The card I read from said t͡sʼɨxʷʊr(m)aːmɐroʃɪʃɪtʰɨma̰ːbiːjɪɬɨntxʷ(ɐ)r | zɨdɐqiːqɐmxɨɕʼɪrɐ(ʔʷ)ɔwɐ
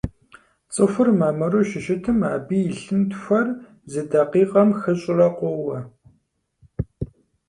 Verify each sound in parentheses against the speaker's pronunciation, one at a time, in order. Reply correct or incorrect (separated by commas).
correct, correct, incorrect